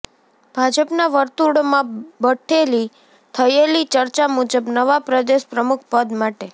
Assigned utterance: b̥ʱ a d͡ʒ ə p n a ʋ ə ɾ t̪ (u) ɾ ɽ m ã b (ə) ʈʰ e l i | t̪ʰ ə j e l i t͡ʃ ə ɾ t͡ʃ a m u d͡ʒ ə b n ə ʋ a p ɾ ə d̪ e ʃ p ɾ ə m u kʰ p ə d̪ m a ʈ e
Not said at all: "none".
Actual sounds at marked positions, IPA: u, ə

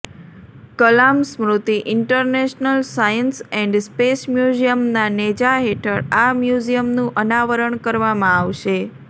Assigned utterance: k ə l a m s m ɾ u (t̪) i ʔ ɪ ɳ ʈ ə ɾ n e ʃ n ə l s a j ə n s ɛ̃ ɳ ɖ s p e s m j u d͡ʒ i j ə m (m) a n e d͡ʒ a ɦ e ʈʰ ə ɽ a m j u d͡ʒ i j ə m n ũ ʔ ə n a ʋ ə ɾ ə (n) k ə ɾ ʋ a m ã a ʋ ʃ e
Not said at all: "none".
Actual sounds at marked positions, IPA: t̪, n, ɳ

